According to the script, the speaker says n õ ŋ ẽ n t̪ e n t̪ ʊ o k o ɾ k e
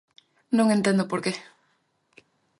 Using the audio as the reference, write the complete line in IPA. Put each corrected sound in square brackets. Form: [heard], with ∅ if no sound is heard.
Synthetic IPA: n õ ŋ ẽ n t̪ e n [d̪] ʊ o [p] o ɾ k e